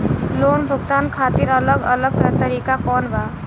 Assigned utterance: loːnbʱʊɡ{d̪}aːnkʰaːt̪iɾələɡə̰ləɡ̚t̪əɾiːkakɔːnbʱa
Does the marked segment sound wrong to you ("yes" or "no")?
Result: yes